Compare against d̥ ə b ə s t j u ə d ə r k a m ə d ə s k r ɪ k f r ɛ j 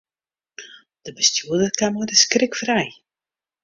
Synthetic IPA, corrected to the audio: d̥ ə b ə s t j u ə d ə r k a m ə d ə s k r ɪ k f r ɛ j